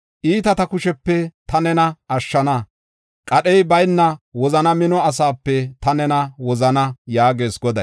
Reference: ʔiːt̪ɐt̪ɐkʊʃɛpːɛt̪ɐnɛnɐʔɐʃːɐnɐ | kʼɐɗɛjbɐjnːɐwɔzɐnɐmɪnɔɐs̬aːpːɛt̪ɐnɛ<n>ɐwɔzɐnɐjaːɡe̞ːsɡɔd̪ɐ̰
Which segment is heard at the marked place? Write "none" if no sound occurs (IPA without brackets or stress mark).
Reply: n